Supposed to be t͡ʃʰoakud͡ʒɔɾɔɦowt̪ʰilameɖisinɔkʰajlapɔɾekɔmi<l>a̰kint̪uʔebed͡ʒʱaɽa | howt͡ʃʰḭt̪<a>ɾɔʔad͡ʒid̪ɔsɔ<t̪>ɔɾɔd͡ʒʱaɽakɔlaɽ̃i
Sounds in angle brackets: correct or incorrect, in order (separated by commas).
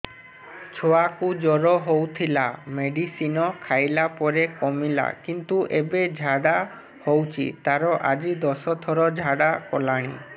correct, correct, incorrect